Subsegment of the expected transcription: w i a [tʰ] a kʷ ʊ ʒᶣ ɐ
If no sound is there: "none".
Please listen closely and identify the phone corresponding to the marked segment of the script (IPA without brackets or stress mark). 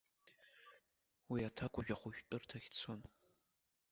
tʰ